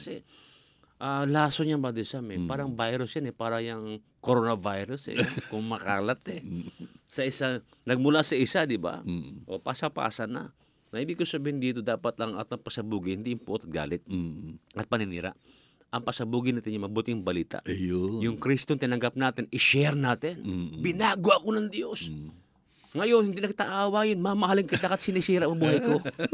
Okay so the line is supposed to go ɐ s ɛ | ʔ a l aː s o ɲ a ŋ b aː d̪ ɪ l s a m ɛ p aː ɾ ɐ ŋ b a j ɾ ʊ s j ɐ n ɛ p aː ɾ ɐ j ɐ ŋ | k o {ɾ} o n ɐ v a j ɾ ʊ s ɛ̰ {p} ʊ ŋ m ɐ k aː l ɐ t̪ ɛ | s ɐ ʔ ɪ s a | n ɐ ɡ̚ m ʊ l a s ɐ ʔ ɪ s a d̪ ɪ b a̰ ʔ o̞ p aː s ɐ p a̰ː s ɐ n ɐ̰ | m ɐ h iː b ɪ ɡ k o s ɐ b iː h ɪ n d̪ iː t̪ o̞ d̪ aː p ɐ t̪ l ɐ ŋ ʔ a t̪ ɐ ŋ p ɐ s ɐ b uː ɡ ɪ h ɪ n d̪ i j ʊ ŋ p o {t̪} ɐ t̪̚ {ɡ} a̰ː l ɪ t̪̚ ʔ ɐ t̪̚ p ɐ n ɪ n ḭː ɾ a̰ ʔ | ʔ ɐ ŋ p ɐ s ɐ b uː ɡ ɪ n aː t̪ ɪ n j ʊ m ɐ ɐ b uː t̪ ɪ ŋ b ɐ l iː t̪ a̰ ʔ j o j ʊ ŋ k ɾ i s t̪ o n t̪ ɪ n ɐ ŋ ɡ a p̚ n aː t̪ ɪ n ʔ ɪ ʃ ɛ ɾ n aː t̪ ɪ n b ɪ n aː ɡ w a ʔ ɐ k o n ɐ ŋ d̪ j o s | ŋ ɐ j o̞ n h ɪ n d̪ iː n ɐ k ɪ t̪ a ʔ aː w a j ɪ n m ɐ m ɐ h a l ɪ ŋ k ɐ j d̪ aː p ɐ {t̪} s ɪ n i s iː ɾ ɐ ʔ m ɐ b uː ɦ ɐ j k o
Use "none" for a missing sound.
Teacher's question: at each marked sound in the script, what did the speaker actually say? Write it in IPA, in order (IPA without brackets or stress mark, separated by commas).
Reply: ɾ, k, t̪, ɡ, t̪